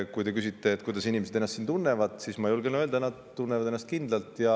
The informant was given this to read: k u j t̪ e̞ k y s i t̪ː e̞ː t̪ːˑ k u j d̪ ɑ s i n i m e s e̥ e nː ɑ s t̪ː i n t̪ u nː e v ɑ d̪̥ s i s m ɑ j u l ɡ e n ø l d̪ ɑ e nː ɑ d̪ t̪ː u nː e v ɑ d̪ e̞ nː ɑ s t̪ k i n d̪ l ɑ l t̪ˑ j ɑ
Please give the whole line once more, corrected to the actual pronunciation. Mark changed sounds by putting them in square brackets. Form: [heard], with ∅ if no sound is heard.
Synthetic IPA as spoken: k u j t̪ e̞ k y s i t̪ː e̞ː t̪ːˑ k u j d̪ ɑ s i n i m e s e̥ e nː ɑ s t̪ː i n t̪ u nː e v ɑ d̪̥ s i s m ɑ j u l ɡ e n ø l d̪ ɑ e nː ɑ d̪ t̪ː u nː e v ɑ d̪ e̞ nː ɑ s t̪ k i n d̪ l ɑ l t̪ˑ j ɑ

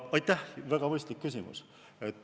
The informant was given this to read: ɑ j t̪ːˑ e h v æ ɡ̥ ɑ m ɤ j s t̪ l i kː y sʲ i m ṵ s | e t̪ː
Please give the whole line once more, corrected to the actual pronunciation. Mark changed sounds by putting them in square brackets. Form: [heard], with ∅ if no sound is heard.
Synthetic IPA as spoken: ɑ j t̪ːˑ [æ] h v æ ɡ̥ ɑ m ɤ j s t̪ l i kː y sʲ i m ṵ s | e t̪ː

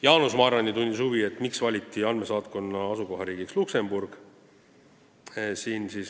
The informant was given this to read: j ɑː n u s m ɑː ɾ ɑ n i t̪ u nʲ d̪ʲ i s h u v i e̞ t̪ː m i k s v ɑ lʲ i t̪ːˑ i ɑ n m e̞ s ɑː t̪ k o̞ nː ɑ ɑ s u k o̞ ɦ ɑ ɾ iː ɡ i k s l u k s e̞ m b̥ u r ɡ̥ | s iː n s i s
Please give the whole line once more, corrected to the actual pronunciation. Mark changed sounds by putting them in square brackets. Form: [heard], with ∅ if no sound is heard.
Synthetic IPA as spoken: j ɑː n u s m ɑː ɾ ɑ n i t̪ u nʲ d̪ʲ i s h u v i e̞ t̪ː m i k s v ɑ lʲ i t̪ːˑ i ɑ n m e̞ s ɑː t̪ k o̞ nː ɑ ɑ s u k o̞ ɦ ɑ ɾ iː ɡ i k s l u k s e̞ m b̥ u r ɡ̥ | s iː n s i s

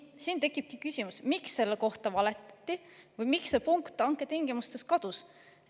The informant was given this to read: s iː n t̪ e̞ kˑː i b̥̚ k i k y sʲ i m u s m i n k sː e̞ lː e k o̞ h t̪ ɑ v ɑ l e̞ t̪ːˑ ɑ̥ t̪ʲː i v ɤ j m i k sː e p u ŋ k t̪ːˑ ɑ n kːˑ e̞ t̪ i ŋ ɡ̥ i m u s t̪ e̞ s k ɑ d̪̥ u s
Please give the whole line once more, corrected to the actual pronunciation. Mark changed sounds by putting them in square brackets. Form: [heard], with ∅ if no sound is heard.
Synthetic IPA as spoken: s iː n t̪ e̞ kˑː i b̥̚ k i k y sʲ i m u s m i [∅] k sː e̞ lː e k o̞ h t̪ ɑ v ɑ l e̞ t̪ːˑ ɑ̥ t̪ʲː i v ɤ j m i k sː e p u ŋ k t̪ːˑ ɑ [ŋ] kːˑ e̞ t̪ i ŋ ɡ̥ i m u s t̪ e̞ s k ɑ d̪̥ u s

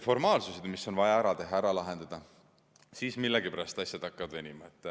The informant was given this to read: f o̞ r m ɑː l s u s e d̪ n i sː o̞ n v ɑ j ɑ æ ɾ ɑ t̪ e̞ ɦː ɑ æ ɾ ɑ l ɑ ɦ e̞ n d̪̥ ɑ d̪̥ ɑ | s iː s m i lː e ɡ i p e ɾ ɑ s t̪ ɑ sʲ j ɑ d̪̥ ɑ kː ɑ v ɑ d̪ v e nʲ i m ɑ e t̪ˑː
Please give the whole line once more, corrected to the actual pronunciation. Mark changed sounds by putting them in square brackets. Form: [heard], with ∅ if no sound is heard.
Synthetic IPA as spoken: f o̞ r m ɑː l s u s e d̪ [m] i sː o̞ n v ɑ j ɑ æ ɾ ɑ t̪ e̞ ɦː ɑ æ ɾ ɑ l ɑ ɦ e̞ n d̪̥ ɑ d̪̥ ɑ | s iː s m i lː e ɡ i p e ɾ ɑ s t̪ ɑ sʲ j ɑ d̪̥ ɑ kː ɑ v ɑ d̪ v e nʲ i m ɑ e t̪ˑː

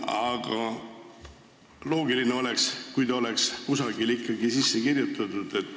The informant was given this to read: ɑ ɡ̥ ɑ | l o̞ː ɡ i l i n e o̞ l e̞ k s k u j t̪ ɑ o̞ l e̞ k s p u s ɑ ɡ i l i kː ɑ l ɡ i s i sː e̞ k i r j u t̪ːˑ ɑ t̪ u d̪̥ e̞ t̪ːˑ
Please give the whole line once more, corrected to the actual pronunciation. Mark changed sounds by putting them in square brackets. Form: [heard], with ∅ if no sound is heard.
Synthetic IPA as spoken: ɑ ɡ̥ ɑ | l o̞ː ɡ i l i n e o̞ l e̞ k s k u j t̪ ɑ o̞ l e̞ k s [k] u s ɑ ɡ i l i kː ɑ [∅] ɡ i s i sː e̞ k i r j u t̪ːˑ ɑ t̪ u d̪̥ e̞ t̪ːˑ

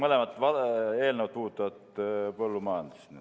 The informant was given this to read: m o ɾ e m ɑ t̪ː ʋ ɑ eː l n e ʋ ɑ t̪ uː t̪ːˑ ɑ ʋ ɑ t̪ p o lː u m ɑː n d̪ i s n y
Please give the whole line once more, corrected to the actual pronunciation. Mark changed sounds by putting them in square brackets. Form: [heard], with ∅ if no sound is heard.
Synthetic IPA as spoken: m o [l] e m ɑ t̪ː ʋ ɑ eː l n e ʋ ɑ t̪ uː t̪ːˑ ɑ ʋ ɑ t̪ p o lː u m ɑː n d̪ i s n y

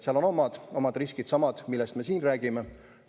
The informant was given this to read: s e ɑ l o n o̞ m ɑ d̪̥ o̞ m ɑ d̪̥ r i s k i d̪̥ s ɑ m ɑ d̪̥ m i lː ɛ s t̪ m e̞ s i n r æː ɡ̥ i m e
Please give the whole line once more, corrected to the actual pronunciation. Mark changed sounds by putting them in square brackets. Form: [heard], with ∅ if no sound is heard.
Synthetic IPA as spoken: s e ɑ l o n o̞ m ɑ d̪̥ o̞ m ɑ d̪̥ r i s k i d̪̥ s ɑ m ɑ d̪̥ m i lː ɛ s t̪ m e̞ s [iː] n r æː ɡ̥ i m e

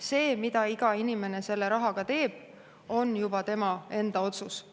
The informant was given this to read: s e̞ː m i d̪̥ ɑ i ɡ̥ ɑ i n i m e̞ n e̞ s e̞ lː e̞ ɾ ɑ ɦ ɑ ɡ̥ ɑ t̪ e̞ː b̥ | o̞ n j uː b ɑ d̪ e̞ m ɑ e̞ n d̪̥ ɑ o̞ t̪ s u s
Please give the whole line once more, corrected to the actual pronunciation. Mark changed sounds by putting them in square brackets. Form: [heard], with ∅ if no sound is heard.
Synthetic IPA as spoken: s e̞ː m i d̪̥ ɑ i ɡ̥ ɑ i n i m e̞ n e̞ s e̞ lː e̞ ɾ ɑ ɦ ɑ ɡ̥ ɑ t̪ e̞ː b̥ | o̞ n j [u] b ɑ [t̪] e̞ m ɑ e̞ n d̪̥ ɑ o̞ t̪ s u s

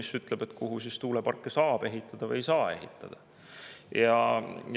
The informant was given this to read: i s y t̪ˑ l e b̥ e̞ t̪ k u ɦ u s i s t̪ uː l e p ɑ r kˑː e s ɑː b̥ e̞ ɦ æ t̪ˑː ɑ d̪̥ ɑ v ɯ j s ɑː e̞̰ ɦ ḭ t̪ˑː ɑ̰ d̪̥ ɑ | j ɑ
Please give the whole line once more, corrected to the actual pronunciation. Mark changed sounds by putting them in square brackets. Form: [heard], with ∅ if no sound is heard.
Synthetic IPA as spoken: i s y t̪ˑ l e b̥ e̞ t̪ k u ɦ u s i s t̪ uː l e p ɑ r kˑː e s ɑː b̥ e̞ ɦ [i] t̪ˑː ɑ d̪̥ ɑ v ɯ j s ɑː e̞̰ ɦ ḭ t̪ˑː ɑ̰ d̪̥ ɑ | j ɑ

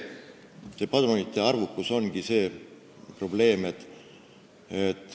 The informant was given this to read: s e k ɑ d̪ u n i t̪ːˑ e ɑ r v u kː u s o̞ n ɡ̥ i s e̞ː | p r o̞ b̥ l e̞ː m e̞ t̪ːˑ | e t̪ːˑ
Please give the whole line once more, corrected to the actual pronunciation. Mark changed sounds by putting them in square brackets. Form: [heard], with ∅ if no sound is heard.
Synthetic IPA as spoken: s e [p] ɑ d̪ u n i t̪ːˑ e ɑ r v u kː u s o̞ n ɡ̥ i s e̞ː | p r o̞ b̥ l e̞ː m e̞ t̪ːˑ | e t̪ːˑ

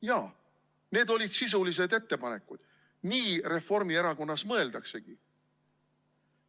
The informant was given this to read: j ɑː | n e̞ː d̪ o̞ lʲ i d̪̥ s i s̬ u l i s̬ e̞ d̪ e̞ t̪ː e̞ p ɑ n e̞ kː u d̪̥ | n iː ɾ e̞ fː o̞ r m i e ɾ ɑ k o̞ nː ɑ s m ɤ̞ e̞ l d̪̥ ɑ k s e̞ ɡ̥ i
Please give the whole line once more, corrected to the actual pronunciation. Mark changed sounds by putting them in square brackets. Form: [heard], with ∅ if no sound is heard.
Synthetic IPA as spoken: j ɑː | n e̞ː d̪ o̞ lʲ i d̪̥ s i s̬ u l i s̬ e̞ d̪ e̞ t̪ː e̞ p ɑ n e̞ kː u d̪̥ | n iː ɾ e̞ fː o̞ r m i e ɾ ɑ k o̞ nː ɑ s m ɤ̞ e̞ l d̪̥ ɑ k s e̞ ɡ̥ i

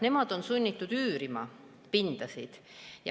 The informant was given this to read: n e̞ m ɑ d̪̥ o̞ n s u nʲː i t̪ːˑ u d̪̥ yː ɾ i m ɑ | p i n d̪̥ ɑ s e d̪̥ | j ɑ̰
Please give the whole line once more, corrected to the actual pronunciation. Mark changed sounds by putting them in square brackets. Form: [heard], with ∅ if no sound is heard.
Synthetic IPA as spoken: n e̞ m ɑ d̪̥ o̞ n s u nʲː i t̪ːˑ u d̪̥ yː ɾ i m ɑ | p i n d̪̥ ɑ s [i] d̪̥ | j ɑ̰

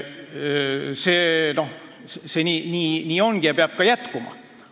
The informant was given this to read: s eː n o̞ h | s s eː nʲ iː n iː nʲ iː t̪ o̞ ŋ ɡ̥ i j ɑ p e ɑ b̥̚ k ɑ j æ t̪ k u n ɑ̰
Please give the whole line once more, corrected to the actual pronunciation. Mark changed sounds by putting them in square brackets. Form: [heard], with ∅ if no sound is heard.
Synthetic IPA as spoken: s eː n o̞ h | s s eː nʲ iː n iː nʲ iː [∅] o̞ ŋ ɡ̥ i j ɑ p e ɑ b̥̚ k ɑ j æ t̪ k u [m] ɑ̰

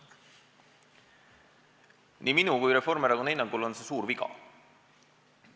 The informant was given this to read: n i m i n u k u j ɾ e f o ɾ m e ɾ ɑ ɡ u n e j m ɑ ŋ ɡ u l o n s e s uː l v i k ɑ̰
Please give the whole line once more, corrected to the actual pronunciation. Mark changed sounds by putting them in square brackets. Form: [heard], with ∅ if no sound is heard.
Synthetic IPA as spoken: n i m i n u k u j ɾ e f o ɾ m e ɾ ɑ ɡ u n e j [n] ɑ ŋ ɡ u l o n s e s uː [ɾ] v i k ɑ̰

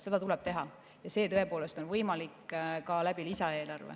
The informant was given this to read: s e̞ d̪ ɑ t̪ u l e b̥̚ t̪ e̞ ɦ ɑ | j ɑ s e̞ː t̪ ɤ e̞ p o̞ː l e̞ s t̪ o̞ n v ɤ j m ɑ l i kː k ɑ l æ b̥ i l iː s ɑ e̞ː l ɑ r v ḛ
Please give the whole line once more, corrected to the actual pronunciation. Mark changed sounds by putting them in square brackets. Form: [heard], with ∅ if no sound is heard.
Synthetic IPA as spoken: s e̞ d̪ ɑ t̪ u l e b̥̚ t̪ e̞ ɦ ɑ | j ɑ s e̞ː t̪ ɤ e̞ p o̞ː l e̞ s t̪ o̞ n v ɤ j m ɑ l i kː k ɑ l æ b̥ i l [i] s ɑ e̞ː l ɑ r v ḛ

